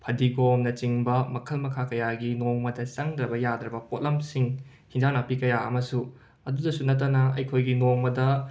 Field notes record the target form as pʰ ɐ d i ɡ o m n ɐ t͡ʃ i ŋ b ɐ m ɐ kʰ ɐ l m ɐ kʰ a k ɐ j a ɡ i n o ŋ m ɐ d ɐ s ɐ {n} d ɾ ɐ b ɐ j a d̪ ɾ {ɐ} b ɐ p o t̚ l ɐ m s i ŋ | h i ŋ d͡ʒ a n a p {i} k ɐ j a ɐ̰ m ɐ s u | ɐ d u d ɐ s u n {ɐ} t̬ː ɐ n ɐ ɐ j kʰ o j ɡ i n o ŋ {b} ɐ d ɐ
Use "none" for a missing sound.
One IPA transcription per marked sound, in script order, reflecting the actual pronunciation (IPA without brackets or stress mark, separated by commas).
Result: ŋ, ɐ, i, ɐ, m